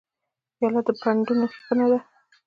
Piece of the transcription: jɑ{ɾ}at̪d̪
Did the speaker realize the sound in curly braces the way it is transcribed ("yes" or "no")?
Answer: no